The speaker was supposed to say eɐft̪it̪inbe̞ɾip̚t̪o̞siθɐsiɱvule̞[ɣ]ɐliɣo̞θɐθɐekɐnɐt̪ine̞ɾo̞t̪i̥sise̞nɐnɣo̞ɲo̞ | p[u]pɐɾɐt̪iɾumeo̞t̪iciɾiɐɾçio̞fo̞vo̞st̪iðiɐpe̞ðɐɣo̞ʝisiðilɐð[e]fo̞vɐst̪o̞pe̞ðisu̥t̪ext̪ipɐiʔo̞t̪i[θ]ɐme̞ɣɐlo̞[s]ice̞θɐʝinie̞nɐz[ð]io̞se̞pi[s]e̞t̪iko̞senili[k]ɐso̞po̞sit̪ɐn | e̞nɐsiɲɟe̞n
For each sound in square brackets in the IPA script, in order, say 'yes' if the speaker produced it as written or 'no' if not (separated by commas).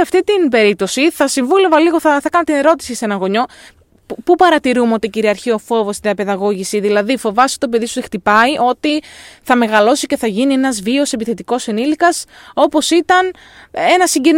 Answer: no, yes, no, yes, yes, no, no, yes